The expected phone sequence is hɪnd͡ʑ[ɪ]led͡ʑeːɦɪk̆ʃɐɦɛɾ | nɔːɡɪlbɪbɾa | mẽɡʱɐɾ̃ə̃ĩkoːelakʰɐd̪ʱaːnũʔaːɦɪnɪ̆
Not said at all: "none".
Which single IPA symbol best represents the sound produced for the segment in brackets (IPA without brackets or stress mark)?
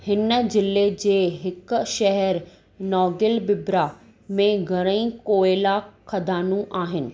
ɪ